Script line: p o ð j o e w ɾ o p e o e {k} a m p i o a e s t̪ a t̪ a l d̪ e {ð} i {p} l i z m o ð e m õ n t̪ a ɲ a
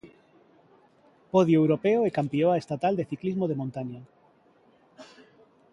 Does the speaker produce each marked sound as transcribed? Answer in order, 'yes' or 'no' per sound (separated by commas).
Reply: yes, no, no